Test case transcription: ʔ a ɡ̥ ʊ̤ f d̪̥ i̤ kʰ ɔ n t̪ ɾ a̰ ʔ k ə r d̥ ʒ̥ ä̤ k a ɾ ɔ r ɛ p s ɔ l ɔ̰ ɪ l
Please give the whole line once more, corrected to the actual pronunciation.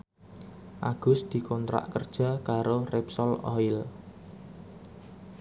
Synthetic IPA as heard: ʔ a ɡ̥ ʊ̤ s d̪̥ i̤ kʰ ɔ n t̪ ɾ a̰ ʔ k ə r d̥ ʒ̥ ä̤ k a ɾ o r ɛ p s ɔ l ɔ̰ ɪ l